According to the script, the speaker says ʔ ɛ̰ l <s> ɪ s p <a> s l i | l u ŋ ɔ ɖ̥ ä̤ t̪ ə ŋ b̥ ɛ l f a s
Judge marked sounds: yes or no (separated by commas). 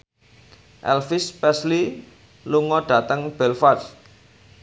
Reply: no, no